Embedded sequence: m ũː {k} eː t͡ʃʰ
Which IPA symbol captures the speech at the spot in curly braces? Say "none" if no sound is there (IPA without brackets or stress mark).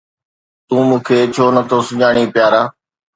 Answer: kʰ